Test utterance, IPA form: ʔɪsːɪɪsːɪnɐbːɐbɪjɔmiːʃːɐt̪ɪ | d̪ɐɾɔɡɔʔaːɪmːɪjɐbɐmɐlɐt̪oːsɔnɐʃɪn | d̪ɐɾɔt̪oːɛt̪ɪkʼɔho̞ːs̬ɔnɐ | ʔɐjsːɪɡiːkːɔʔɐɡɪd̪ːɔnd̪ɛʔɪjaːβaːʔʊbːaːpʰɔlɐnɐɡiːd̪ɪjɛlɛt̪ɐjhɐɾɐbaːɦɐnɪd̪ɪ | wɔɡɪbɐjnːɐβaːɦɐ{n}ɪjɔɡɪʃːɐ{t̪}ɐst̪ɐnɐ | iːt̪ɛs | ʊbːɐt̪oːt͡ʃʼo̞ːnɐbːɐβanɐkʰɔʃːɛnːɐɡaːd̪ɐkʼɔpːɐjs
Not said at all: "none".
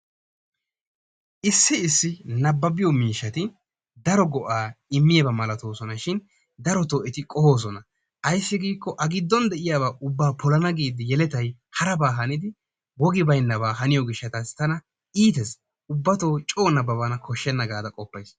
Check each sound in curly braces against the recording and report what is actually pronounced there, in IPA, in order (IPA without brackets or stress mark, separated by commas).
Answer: n, t̪